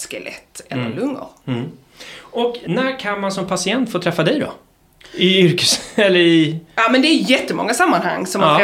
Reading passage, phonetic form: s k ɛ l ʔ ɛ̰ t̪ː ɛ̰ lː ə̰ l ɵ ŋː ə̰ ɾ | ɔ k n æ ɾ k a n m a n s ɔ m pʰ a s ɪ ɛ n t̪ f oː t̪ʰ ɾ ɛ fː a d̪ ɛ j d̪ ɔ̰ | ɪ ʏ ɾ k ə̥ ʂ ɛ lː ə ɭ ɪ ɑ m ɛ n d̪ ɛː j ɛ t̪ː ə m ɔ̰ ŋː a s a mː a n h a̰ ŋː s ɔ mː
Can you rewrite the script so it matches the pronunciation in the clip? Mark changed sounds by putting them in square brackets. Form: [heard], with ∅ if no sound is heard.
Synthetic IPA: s k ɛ l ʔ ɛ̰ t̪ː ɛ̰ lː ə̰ l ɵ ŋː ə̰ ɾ | ɔ k n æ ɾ [kʰ] a n m a n s ɔ m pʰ a s ɪ ɛ n t̪ f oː t̪ʰ ɾ ɛ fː a d̪ ɛ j d̪ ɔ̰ | ɪ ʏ ɾ k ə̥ [s] ɛ lː ə [ɾ] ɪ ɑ m ɛ n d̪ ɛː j ɛ t̪ː ə m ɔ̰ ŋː a s a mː a n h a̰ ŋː s ɔ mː